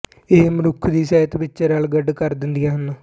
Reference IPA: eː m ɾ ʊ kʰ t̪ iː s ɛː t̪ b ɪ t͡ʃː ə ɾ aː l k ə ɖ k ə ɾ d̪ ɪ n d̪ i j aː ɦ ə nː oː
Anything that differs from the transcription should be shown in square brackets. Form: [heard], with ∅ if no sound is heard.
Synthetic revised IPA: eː m ɾ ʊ kʰ [d̪] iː s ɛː t̪ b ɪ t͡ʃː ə ɾ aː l [ɡ] ə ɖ k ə ɾ d̪ ɪ n d̪ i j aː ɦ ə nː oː